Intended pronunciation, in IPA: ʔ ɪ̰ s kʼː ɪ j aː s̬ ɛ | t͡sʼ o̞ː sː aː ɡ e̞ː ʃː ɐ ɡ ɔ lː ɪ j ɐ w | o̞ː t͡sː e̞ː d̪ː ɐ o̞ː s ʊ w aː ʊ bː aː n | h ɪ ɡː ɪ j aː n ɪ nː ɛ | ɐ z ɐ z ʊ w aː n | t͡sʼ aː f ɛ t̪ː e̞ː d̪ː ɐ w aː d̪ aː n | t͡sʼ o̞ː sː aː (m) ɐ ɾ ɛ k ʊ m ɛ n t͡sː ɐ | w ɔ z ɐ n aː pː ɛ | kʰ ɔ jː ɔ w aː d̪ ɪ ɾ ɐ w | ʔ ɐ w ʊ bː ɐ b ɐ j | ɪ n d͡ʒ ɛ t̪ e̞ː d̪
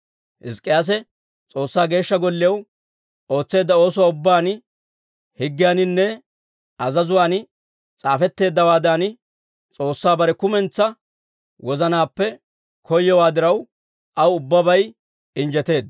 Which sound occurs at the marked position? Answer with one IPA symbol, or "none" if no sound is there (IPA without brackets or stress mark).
b